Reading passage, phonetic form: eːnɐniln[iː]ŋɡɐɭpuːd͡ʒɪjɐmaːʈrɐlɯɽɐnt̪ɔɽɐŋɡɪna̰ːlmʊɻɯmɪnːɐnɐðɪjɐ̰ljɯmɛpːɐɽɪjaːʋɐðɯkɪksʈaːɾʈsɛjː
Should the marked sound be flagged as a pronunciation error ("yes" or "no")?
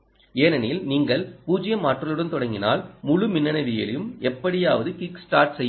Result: no